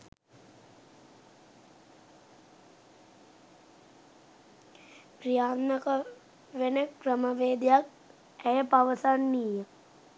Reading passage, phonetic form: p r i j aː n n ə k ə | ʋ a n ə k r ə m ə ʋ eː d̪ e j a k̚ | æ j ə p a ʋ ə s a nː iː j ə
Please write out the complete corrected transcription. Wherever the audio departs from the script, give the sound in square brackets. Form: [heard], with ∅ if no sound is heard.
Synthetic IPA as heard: p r i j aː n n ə k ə | ʋ [e] n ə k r ə m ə ʋ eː d̪ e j a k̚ | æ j ə p a ʋ ə s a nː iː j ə